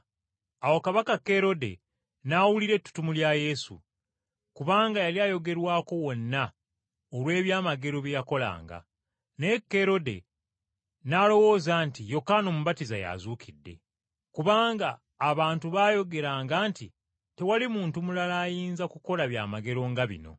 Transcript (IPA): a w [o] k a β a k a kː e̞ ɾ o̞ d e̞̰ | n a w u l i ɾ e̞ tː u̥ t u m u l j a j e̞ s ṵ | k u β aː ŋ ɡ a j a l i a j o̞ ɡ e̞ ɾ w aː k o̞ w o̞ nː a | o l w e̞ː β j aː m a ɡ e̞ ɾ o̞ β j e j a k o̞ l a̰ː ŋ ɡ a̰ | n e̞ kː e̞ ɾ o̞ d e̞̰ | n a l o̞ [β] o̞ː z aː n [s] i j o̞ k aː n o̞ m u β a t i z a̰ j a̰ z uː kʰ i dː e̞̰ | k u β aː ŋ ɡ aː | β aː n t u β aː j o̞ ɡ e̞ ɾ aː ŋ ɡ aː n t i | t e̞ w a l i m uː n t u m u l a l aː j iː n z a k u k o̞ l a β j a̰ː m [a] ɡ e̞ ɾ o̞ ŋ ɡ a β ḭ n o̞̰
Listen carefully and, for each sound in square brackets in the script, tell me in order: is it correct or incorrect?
correct, incorrect, incorrect, correct

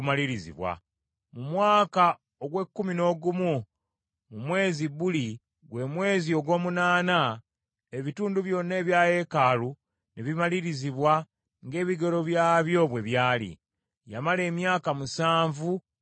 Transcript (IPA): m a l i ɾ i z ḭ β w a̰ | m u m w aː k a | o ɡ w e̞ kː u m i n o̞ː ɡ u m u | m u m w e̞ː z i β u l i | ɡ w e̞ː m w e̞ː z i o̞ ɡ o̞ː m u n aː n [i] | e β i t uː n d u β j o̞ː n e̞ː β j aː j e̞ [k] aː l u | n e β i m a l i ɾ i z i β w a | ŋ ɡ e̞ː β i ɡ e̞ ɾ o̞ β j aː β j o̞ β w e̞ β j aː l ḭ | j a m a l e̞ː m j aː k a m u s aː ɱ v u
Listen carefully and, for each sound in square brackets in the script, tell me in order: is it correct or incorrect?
incorrect, correct

